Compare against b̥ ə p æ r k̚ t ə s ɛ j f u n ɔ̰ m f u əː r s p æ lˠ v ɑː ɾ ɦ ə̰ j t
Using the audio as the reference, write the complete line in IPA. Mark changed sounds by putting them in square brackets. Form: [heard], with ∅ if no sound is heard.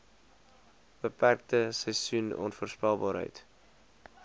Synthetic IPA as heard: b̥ ə p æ r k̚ t ə s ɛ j [s] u n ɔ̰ [n] f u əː r s p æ lˠ [b] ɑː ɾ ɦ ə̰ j t